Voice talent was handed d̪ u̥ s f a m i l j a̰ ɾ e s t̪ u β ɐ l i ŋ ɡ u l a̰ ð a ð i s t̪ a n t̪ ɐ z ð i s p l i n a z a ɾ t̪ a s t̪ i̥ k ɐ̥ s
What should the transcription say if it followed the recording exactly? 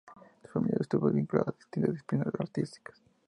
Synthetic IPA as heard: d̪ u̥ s f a m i l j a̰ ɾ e s t̪ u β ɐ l i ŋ k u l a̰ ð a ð i s t̪ i n t̪ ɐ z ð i s p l i n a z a ɾ t̪ i s t̪ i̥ k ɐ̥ s